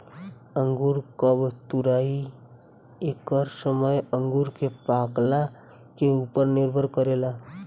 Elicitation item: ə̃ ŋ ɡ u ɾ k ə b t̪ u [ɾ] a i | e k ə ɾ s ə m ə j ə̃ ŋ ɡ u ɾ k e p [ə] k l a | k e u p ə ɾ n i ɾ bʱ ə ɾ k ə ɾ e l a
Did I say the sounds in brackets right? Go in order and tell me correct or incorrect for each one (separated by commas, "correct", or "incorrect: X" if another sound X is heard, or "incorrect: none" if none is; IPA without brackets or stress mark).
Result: correct, incorrect: a